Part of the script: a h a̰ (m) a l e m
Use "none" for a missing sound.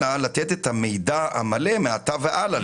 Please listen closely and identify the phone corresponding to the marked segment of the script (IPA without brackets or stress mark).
m